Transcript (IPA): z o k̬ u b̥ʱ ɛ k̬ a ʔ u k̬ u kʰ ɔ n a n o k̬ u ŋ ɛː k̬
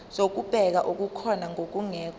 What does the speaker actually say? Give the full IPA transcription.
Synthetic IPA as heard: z o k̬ u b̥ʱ ɛ k̬ a ʔ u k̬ u kʰ ɔ n a ŋ o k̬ u ŋ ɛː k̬